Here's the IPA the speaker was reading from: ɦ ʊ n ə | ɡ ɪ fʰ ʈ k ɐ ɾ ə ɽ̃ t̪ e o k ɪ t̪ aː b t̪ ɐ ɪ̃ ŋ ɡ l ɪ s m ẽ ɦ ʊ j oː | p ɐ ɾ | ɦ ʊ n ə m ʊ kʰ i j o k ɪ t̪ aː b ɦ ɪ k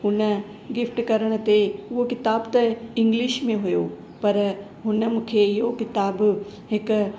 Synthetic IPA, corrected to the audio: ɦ ʊ n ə | ɡ ɪ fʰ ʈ k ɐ ɾ ə ɽ̃ t̪ e o k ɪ t̪ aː b t̪ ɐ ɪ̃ ŋ ɡ l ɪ ʃ m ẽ ɦ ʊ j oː | p ɐ ɾ | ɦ ʊ n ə m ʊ kʰ e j o k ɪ t̪ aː b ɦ ɪ k